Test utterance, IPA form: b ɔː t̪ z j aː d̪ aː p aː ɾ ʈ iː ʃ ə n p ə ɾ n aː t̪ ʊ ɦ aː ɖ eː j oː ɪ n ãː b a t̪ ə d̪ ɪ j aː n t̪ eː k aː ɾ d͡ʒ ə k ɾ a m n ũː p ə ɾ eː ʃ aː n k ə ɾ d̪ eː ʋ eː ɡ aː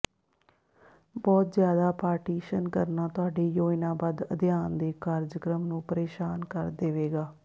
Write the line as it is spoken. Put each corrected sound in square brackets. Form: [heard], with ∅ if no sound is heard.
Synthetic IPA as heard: b ɔː t̪ z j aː d̪ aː p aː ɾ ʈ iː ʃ ə n [k] ə ɾ n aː t̪ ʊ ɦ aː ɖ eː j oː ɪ n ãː b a [d̪] ə d̪ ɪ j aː n [d̪] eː k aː ɾ d͡ʒ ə k ɾ [ə] m n ũː p ə ɾ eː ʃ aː n k ə ɾ d̪ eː ʋ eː ɡ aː